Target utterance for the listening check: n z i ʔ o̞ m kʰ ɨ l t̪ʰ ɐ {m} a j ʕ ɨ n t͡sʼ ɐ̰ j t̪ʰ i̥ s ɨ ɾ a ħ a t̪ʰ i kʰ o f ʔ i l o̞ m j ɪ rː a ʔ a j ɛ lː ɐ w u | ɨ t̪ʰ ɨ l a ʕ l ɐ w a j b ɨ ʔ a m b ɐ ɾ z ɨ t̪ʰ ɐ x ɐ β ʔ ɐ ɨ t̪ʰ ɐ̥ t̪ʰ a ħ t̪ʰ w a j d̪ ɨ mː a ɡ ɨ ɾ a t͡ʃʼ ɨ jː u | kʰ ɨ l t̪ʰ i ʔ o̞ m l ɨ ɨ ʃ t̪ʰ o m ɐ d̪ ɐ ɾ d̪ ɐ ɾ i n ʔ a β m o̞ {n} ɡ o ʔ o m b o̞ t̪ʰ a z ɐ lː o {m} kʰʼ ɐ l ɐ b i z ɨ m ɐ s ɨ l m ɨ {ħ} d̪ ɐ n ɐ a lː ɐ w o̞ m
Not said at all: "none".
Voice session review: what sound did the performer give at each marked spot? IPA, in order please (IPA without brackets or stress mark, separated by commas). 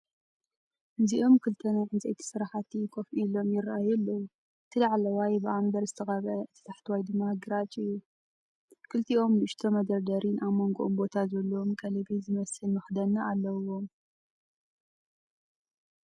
n, ŋ, m, x